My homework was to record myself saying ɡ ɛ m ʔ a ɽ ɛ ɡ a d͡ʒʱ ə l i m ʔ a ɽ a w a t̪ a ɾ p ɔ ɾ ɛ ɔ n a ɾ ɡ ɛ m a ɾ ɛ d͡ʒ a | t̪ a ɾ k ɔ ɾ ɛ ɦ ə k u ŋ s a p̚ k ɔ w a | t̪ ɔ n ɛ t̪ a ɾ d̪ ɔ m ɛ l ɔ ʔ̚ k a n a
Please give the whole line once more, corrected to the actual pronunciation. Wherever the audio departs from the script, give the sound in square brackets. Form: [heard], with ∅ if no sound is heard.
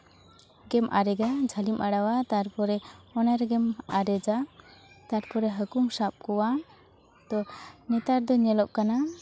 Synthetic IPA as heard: ɡ ɛ m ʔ a [ɾ] ɛ ɡ a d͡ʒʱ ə l i m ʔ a ɽ a w a t̪ a ɾ p ɔ ɾ ɛ ɔ n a ɾ ɡ ɛ m a ɾ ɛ d͡ʒ a | t̪ a ɾ [p] ɔ ɾ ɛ ɦ ə k u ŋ s a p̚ k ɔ w a | t̪ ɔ n ɛ t̪ a ɾ d̪ ɔ [ɲ] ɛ l ɔ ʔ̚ k a n a